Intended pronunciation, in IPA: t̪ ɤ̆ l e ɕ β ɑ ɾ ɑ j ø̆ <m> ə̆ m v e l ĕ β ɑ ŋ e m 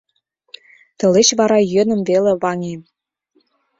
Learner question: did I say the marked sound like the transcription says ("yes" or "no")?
no